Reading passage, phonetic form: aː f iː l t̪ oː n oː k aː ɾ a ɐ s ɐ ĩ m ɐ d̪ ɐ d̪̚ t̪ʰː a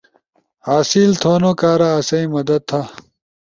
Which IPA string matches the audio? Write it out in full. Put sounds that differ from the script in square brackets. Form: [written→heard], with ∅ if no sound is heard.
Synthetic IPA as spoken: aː [f→s] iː l [t̪→t̪ʰ] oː n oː k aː ɾ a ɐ s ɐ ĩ m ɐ d̪ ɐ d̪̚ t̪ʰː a